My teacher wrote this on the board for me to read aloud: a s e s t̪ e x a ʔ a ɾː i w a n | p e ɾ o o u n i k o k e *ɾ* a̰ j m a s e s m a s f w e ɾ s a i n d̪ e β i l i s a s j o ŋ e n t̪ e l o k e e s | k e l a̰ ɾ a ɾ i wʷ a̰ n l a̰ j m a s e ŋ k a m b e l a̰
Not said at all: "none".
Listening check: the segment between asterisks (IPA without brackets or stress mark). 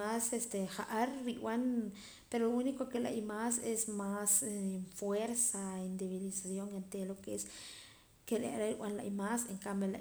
l